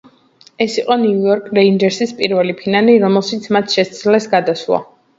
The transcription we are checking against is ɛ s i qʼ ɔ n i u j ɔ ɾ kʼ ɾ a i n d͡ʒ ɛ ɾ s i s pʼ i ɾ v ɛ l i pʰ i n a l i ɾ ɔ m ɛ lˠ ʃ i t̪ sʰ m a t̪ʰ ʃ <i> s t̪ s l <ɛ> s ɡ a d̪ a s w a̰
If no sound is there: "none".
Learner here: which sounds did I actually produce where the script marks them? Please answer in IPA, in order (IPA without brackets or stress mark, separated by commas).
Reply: ɛ, ɛ